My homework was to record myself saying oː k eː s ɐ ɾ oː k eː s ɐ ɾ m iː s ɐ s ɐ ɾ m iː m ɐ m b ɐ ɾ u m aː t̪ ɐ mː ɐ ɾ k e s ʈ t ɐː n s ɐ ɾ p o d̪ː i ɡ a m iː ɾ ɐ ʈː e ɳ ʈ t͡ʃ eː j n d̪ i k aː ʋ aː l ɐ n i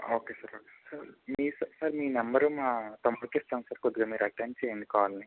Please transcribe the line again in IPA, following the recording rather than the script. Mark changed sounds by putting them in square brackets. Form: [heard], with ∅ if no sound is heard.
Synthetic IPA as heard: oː k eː s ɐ ɾ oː k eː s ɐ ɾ m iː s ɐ s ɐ ɾ m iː [n] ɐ m b ɐ ɾ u m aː t̪ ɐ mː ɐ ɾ k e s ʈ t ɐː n s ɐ ɾ [k] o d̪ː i ɡ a m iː ɾ ɐ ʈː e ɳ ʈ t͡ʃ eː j n d̪ i k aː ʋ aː l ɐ n i